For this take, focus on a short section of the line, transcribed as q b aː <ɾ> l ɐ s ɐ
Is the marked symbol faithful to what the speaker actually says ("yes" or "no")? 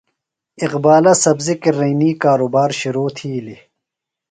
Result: no